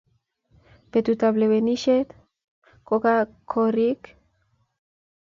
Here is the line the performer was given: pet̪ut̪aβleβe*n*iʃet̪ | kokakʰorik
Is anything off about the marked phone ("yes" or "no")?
no